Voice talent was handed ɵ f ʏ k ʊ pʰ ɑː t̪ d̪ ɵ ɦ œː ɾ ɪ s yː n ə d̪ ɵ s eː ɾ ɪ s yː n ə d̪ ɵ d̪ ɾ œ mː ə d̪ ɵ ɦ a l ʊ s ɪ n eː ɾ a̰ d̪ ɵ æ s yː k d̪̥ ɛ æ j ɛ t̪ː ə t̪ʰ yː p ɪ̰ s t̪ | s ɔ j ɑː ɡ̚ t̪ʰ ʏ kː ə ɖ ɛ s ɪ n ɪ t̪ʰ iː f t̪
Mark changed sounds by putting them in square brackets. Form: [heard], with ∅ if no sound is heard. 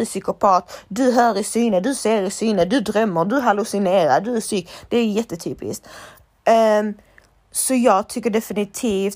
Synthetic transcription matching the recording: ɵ [s] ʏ k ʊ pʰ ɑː t̪ d̪ ɵ ɦ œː ɾ ɪ s yː n ə d̪ ɵ s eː ɾ ɪ s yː n ə d̪ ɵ d̪ ɾ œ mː ə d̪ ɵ ɦ a l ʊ s ɪ n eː ɾ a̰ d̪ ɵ æ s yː k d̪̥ ɛ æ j ɛ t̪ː ə t̪ʰ yː p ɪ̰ s t̪ | s ɔ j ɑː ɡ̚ t̪ʰ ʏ kː ə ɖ ɛ [f] ɪ n ɪ t̪ʰ iː f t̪